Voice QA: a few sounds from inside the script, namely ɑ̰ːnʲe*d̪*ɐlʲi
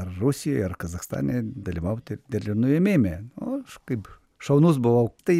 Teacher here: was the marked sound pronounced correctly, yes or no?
yes